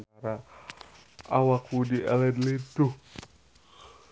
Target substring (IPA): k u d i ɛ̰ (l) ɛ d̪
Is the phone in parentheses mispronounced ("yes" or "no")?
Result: no